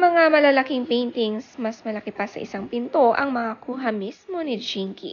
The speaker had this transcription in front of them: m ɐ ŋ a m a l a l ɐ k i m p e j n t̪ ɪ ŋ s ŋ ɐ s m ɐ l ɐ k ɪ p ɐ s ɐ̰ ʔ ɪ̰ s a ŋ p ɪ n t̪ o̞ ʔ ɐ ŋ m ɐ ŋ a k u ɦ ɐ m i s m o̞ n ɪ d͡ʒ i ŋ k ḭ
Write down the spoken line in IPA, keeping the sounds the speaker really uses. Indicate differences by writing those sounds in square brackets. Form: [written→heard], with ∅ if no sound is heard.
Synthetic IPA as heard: m ɐ ŋ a m [a→ɐ] l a l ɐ k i [m→ŋ] p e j n t̪ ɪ ŋ s [ŋ→m] ɐ s m ɐ l ɐ k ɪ p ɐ s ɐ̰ ʔ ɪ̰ s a ŋ p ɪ n t̪ o̞ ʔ ɐ ŋ m ɐ ŋ a k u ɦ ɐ m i s m o̞ n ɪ d͡ʒ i ŋ k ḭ